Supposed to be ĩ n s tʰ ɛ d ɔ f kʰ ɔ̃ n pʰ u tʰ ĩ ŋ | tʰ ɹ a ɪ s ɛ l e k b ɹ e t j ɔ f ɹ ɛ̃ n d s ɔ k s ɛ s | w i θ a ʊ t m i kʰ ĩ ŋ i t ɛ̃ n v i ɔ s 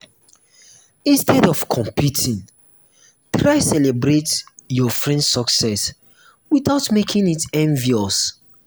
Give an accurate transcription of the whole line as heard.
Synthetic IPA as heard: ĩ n s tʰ ɛ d ɔ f kʰ ɔ̃ m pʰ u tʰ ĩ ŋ | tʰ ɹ a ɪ s ɛ l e b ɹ e t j ɔ f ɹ ɛ̃ n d s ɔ k s ɛ s | w i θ a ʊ t m e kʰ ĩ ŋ i t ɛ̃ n v i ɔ s